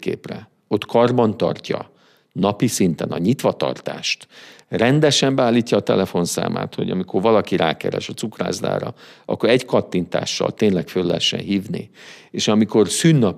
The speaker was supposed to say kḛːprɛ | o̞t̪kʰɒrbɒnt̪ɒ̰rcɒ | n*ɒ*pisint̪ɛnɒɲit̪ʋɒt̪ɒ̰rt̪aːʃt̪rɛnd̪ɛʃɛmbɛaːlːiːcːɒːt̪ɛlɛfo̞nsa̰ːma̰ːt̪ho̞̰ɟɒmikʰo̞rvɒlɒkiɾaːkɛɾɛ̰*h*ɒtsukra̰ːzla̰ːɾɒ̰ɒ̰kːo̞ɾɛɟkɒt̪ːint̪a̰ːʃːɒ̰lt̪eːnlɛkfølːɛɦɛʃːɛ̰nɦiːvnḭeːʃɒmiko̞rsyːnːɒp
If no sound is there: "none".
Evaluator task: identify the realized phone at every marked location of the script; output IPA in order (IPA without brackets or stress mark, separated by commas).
ɒ, ʃ